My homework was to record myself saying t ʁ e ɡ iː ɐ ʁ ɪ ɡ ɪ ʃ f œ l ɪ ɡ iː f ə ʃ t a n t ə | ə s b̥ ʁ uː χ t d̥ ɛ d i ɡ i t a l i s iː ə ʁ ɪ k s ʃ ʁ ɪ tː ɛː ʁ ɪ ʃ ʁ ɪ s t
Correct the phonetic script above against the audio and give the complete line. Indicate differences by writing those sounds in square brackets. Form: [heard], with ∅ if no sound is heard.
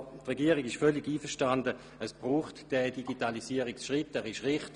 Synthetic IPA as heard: t ʁ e ɡ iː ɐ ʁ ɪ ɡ ɪ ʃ f œ l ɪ ɡ iː f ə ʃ t a n [d] ə | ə s b̥ ʁ uː χ t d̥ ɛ d i ɡ i t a l i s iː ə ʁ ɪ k s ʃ ʁ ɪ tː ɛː ʁ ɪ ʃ ʁ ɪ [χ] t

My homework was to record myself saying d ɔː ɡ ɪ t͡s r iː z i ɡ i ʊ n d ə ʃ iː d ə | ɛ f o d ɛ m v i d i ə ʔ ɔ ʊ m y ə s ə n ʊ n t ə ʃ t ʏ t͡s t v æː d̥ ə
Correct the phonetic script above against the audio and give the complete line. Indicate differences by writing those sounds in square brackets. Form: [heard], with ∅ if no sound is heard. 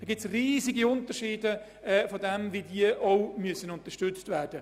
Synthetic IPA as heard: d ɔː ɡ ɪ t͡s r iː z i ɡ i ʊ n [t] ə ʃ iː d ə | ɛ f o d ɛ m v i d i ə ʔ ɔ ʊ m y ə s ə n ʊ n t ə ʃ t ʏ t͡s t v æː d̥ ə

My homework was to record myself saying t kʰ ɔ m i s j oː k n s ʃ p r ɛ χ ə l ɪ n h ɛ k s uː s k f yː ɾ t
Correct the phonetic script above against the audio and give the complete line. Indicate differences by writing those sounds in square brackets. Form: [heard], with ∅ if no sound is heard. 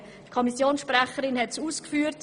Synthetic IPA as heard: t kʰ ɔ m i s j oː [∅] n s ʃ p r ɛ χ ə [ɾ] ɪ n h ɛ [t] s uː s k f yː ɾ t

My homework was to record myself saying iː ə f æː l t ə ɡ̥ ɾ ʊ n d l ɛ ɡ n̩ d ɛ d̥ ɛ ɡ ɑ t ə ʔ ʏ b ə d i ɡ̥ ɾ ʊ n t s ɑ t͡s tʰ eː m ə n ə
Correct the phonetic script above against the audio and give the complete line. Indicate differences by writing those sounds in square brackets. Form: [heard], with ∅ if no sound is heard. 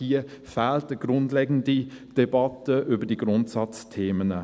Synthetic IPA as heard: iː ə f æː l t ə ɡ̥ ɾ ʊ n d l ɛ ɡ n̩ d [i] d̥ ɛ [b] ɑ t ə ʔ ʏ b ə d i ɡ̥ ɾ ʊ n t s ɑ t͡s tʰ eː m ə n ə

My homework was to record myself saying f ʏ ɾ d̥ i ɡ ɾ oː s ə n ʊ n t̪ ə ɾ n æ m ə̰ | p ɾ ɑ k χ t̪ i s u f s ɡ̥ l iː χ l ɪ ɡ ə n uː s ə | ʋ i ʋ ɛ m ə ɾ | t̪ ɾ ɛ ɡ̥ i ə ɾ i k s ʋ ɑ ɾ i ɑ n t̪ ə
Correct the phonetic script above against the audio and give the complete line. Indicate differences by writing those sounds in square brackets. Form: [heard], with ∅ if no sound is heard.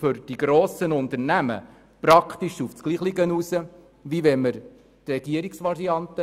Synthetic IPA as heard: f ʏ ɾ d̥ i ɡ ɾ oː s ə n ʊ n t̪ ə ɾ n æ m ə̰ | p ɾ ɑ k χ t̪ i [ʃ] u f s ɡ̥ l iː χ l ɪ ɡ ə n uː s ə | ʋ i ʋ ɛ m ə ɾ | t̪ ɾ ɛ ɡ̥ i ə ɾ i k s ʋ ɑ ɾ i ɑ n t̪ ə

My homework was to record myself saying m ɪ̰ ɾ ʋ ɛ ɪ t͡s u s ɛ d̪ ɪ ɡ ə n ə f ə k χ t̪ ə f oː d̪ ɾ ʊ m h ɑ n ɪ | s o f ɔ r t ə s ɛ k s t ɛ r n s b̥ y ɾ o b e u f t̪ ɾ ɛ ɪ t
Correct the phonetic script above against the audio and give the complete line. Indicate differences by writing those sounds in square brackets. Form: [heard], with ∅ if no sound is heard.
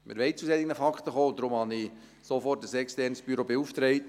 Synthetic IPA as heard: m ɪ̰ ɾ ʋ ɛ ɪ t͡s u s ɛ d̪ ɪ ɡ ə n ə f [ɑ] k χ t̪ ə [χ] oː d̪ ɾ ʊ m h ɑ n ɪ | s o f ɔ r t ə s ɛ k s t ɛ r n s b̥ y ɾ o b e u f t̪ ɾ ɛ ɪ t

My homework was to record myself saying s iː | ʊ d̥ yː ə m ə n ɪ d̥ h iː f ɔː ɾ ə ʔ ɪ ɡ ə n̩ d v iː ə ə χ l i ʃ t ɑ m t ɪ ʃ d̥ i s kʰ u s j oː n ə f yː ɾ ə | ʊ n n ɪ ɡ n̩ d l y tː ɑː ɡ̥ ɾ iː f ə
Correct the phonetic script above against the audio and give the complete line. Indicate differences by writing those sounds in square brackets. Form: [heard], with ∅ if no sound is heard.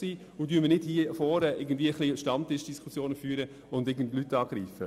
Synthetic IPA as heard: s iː | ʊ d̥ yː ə m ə n ɪ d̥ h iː f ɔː ɾ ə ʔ ɪ ɡ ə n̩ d v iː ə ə χ l i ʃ t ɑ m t ɪ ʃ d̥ i s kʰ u s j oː n ə f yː ɾ ə | ʊ n [d] ɪ ɡ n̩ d l y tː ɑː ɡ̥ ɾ iː f ə

